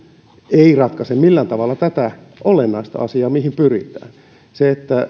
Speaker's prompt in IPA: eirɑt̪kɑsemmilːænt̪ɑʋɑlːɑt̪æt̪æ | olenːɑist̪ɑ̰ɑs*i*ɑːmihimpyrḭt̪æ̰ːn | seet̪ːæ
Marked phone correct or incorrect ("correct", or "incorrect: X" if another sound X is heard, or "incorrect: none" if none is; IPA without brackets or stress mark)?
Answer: correct